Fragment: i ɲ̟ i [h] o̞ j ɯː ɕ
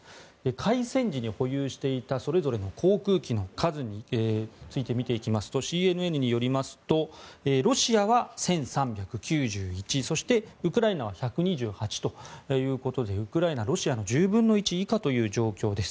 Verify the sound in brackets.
correct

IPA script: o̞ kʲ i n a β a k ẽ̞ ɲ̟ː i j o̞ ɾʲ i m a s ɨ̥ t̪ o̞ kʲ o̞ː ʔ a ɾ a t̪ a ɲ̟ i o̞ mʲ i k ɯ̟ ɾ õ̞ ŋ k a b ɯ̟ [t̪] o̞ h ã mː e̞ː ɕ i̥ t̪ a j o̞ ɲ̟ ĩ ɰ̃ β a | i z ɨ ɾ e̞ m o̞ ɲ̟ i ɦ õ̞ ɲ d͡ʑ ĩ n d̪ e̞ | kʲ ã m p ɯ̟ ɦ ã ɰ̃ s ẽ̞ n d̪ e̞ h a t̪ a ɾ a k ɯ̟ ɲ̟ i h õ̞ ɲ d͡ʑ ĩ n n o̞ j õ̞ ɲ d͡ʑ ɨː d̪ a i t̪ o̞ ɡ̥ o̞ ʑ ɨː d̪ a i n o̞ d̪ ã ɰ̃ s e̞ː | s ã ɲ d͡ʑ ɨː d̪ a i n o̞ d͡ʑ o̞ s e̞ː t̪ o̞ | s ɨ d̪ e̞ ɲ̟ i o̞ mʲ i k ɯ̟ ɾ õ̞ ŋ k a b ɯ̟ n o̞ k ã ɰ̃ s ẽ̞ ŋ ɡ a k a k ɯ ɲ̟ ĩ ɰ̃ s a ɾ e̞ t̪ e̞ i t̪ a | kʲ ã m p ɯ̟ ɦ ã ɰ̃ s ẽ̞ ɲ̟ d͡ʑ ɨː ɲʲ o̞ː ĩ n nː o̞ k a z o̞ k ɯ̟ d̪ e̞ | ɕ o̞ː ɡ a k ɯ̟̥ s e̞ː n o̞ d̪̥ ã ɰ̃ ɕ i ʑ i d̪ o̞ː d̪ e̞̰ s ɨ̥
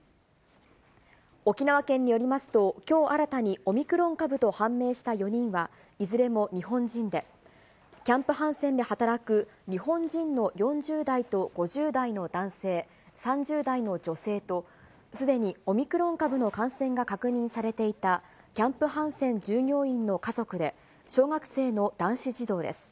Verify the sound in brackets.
correct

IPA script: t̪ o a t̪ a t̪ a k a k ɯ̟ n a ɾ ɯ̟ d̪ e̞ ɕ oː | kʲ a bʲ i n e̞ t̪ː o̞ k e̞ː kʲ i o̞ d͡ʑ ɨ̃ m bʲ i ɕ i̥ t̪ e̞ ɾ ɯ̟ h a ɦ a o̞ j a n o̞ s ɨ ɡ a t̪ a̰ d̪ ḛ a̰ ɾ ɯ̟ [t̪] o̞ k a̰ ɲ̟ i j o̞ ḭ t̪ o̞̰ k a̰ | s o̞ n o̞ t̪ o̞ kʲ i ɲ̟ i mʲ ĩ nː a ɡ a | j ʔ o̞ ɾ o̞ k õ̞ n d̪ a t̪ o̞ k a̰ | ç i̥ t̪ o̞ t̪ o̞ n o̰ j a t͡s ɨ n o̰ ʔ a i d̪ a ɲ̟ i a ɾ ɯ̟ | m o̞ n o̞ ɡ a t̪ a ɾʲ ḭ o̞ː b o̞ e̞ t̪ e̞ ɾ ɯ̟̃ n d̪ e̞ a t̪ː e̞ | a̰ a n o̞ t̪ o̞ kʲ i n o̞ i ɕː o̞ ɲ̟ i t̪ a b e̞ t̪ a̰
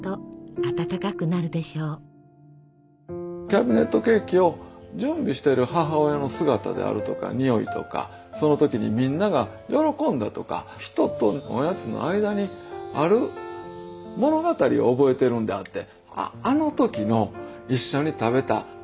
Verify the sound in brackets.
correct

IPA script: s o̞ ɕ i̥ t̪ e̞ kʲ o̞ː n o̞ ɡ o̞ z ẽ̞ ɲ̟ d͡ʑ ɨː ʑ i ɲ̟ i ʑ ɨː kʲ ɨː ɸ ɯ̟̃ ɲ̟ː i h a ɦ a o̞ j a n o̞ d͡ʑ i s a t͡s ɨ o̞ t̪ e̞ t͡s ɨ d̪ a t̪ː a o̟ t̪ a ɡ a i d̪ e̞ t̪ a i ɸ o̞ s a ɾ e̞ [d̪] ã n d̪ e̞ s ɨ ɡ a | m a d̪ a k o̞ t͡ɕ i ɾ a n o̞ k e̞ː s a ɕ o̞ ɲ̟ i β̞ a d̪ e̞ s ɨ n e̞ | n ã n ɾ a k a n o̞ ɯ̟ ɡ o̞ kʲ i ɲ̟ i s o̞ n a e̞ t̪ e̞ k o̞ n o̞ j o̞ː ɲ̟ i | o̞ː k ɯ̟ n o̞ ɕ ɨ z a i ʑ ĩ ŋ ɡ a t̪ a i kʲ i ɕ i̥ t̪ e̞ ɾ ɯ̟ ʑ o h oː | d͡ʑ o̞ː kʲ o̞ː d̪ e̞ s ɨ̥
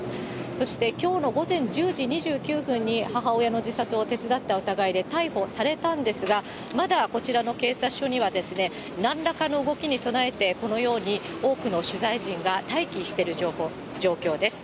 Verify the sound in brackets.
incorrect: t̪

